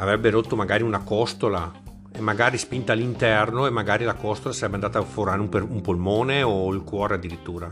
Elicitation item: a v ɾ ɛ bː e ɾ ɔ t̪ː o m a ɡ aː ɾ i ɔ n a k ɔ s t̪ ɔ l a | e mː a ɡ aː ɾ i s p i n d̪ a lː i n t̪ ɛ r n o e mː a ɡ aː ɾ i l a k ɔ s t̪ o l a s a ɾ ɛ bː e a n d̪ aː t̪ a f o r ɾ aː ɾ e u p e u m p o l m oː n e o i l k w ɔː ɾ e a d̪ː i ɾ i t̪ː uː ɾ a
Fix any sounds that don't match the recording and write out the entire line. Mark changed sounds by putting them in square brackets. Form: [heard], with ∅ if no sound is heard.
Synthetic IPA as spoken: a v ɾ ɛ bː e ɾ [o] t̪ː o m a ɡ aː ɾ i [u] n a k ɔ s t̪ [o] l a | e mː a ɡ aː ɾ i s p i n [t̪] a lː i n t̪ ɛ r n o e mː a ɡ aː ɾ i l a k ɔ s t̪ o l a s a ɾ ɛ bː e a n d̪ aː t̪ a f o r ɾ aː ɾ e u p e u m p o l m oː n e o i l k w ɔː ɾ e a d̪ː i ɾ i t̪ː uː ɾ a